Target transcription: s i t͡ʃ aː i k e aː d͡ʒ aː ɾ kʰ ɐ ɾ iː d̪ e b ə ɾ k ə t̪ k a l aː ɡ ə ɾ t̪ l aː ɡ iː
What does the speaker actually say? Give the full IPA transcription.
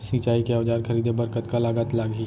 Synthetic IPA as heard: s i t͡ʃ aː i k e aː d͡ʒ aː ɾ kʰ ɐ ɾ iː d̪ e b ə ɾ k ə t̪ k a l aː ɡ ə t̪ l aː ɡ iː